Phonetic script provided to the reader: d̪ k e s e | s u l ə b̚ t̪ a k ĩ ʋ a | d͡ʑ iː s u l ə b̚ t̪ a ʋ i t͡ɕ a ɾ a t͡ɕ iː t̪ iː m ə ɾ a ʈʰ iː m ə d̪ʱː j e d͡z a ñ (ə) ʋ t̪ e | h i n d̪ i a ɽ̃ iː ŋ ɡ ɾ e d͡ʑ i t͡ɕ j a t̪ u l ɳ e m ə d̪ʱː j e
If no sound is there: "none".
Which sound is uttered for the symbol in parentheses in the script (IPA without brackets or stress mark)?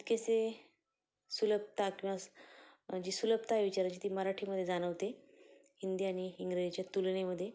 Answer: ə